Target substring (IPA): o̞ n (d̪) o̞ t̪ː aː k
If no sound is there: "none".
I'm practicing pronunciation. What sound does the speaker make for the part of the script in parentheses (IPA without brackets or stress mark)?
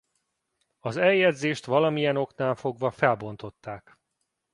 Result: t̪